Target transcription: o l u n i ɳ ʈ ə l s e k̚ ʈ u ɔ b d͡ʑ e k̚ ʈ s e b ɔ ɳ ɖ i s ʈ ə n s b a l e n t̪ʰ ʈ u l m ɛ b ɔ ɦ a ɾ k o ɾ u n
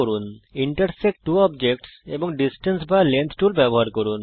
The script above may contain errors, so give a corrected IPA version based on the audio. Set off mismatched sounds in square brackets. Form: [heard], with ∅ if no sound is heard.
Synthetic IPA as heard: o [ɾ] u n i ɳ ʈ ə [ɾ] s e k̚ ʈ u ɔ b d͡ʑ e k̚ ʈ s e b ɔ [ŋ] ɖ i s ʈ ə n s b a l e n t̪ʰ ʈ u l [b] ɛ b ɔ ɦ a ɾ k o ɾ u n

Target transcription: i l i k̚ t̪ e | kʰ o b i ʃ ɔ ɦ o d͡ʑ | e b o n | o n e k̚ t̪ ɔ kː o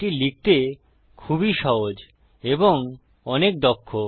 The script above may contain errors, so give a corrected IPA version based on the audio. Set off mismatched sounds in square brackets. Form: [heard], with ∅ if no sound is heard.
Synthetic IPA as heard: i l i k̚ t̪ e | kʰ [u] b i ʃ ɔ ɦ o d͡ʑ | e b o [ŋ] | [ɔ] n e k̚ [d̪] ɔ [kʰː] o

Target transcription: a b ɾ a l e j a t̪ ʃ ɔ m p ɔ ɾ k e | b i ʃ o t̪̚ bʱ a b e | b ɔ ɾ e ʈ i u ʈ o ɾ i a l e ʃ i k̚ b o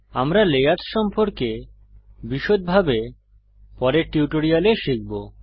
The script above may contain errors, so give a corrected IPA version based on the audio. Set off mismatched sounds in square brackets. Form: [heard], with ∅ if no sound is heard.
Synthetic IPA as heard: a [m] ɾ a l e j a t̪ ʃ ɔ m p [o] ɾ k e | b i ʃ o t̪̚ bʱ a b e | [p] ɔ ɾ e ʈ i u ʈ o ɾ i a l e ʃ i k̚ b o

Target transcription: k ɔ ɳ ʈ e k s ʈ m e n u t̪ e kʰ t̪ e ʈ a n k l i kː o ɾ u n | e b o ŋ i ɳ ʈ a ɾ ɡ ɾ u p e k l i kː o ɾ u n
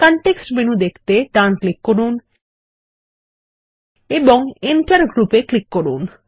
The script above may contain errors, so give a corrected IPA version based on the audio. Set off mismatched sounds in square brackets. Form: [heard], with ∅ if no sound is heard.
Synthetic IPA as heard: k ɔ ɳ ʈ e k s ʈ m e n u [d̪] e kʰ t̪ e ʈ a n k l i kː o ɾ u n | e b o ŋ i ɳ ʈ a ɾ ɡ ɾ u p e k l i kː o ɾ u n

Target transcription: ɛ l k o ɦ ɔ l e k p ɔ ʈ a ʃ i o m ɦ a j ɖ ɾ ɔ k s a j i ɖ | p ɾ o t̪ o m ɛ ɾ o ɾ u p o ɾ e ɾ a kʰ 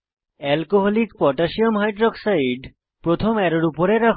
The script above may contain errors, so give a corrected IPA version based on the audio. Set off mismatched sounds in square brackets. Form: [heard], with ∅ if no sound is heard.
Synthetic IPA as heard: ɛ l k o ɦ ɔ l [i] k p ɔ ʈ a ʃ i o m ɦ a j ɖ ɾ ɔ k s a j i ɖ | p ɾ o [t̪ʰ] o m ɛ ɾ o ɾ u p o ɾ e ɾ a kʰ

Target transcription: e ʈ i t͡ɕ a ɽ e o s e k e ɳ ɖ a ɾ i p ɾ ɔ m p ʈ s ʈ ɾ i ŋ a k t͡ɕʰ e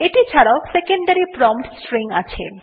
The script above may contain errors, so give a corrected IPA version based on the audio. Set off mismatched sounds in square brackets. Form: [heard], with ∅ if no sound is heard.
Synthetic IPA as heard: e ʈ i [t͡ɕʰ] a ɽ [a] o s e k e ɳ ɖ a ɾ i p ɾ ɔ m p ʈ s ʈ ɾ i ŋ a [∅] t͡ɕʰ e

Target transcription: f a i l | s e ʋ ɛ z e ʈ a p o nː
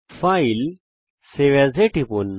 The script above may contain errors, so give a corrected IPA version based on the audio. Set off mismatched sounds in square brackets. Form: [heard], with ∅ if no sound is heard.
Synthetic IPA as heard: f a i l | s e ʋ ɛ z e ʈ [i] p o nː

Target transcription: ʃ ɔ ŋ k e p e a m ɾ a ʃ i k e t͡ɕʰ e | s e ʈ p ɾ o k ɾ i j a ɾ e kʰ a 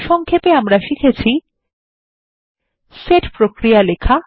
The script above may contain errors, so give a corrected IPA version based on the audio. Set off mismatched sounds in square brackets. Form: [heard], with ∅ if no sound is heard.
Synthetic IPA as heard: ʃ ɔ ŋ [kʰ] e p e a m ɾ a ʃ i [kʰ] e t͡ɕʰ [i] | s e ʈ p ɾ o k ɾ i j a [l] e kʰ a

